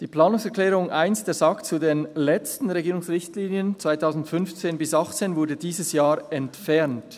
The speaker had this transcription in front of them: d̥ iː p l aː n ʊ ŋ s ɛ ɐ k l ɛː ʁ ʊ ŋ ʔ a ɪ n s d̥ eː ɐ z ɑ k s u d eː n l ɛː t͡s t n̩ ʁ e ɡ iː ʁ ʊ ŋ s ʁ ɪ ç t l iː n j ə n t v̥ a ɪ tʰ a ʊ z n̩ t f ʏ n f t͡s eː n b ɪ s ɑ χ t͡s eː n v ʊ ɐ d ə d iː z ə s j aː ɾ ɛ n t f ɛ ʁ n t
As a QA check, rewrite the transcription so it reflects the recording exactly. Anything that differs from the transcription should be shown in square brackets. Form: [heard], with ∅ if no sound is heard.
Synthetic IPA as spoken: d̥ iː p l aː n ʊ ŋ s ɛ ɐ k l ɛː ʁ ʊ ŋ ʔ a ɪ n s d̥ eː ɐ z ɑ k [t͡s] u d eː n l [ɛ] t͡s t n̩ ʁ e ɡ iː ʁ ʊ ŋ s ʁ ɪ ç t l iː n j ə n [t͡s] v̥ a ɪ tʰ a ʊ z n̩ t f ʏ n f t͡s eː n b ɪ s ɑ χ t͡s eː n v ʊ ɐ d ə d iː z ə s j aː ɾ ɛ n t f ɛ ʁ n t